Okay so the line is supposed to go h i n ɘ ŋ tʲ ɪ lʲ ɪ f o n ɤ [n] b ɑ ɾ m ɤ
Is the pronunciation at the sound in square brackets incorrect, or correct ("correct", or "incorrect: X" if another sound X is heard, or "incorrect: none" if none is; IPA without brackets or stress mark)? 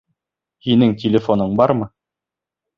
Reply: incorrect: ɴ